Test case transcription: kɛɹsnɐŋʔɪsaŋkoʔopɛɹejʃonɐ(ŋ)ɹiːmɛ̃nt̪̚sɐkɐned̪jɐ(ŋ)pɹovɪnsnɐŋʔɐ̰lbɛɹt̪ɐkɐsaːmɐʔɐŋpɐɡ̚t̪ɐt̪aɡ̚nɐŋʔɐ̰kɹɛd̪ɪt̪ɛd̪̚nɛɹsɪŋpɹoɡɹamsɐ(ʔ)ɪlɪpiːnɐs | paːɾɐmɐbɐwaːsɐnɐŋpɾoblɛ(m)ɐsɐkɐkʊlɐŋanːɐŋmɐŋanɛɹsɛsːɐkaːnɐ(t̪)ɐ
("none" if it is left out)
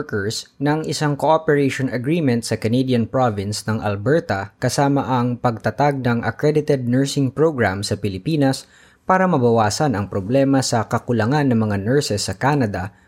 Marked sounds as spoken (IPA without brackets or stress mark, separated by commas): ɡ, n, p, m, d̪